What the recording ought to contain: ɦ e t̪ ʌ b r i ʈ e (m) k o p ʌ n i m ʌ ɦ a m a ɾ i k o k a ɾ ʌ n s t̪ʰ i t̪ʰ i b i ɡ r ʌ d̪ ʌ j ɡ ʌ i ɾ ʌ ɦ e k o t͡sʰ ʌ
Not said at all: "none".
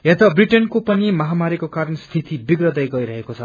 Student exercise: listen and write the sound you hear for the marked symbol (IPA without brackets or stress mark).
n